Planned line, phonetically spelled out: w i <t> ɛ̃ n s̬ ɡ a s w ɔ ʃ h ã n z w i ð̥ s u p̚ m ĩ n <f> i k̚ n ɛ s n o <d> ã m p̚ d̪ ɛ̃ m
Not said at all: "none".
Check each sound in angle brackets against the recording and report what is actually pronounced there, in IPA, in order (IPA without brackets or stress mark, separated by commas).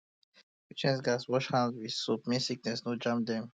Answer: t͡ʃ, s, d͡ʒ